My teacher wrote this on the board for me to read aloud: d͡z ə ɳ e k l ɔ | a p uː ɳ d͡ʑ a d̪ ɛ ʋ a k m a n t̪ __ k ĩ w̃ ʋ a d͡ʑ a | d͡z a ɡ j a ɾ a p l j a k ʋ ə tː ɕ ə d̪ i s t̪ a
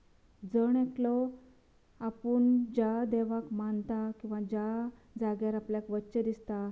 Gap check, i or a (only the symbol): a